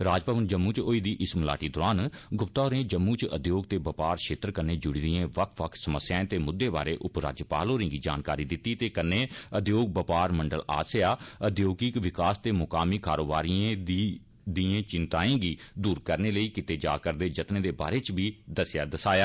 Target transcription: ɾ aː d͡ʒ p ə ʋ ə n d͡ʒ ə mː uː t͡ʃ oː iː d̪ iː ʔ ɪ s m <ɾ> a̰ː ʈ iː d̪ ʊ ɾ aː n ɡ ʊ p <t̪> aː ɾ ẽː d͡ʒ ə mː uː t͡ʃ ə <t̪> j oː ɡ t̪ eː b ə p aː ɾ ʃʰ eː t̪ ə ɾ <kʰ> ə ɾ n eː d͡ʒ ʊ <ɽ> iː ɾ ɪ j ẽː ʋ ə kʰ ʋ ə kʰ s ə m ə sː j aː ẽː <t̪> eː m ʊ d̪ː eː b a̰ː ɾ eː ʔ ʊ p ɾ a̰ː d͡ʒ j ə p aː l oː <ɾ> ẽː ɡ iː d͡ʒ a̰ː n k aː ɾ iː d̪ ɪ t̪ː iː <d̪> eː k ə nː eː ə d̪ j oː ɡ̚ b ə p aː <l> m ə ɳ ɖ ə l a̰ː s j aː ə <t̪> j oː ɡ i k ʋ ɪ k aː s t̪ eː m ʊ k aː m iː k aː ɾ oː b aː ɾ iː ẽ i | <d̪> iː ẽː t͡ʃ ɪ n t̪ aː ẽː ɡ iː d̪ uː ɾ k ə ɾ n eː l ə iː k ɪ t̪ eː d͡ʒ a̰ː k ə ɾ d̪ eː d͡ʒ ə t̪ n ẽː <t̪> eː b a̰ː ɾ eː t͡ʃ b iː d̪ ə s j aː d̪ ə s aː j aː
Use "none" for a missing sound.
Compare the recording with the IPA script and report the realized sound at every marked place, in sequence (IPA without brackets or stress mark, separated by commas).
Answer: l, t̪, d̪, k, ɽ, t̪, ɾ, t̪, ɾ, d̪, d̪, d̪